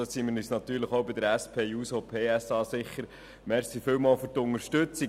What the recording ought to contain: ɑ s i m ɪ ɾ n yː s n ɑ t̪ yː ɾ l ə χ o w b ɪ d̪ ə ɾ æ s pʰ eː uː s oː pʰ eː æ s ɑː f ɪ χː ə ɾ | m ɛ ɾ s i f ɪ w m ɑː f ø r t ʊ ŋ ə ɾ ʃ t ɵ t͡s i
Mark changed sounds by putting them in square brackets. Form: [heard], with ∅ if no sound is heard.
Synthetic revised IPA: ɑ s i m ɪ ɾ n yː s n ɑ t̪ yː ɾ l ə χ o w b ɪ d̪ ə ɾ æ s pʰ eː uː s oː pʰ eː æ s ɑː [s] ɪ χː ə ɾ | m ɛ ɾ s i f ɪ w m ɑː f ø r t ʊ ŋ ə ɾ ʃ t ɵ t͡s i